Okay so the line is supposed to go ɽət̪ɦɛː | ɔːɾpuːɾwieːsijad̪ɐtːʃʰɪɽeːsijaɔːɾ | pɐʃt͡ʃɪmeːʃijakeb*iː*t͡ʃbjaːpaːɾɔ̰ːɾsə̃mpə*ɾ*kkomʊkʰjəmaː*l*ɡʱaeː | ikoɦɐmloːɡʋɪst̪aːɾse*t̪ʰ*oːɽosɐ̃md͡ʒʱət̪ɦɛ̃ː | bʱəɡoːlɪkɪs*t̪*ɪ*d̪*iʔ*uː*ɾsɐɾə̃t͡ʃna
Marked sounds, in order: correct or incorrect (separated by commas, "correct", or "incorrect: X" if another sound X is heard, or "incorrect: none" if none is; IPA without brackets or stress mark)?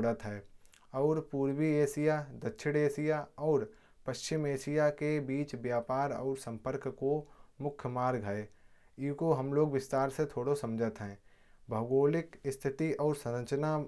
correct, correct, incorrect: ɾ, correct, incorrect: t̪ʰ, incorrect: t̪, incorrect: ɔː